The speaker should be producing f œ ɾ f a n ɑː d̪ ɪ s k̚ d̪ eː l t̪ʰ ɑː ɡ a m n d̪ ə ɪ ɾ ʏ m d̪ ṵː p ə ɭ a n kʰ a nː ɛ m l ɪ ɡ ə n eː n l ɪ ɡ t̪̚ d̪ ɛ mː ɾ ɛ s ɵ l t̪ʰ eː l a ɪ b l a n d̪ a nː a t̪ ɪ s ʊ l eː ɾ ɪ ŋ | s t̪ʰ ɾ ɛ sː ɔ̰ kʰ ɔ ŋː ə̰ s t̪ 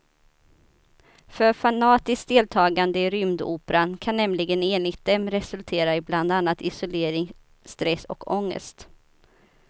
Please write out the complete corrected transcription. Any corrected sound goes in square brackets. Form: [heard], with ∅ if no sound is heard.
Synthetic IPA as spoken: f œ ɾ f a n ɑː [t̪] ɪ s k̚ d̪ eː l t̪ʰ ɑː ɡ a [∅] n d̪ ə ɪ ɾ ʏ m d̪ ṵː p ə [ɾ] a n kʰ a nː ɛ m l ɪ ɡ ə n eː n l ɪ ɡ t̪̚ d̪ ɛ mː ɾ ɛ s ɵ l t̪ʰ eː [ɾ] a ɪ b l a n d̪ a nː a t̪ ɪ s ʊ l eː ɾ ɪ ŋ | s [t̪] ɾ ɛ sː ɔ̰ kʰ ɔ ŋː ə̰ s t̪